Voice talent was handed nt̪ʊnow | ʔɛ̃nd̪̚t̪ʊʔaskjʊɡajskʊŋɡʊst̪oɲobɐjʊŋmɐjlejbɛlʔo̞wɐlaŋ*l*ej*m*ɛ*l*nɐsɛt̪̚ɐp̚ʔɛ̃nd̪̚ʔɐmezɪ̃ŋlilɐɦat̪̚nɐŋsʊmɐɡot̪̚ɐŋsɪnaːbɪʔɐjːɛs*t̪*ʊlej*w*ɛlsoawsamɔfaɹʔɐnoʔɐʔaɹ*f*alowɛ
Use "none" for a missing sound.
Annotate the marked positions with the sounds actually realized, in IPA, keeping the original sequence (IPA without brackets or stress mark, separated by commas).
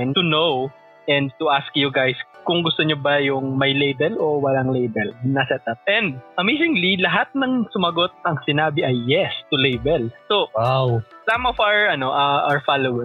l, b, l, t̪, b, f